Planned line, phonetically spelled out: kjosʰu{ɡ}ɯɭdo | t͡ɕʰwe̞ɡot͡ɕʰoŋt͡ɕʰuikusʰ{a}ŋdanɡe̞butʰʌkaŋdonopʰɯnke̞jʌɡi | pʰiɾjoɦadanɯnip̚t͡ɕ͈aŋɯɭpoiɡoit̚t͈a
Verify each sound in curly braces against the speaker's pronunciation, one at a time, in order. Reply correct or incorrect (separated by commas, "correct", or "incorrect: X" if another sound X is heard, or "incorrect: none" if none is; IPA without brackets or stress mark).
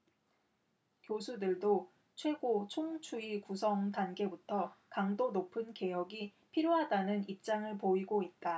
incorrect: d, incorrect: ʌ